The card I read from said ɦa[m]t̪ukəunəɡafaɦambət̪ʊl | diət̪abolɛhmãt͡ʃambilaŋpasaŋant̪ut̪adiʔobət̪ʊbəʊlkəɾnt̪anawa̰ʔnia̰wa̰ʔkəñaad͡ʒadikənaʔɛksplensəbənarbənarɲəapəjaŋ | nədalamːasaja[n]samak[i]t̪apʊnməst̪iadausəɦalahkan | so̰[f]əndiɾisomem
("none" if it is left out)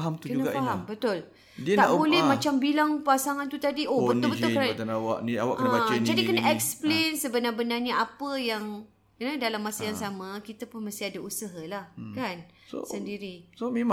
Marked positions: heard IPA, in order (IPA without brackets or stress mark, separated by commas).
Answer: m, ŋ, i, s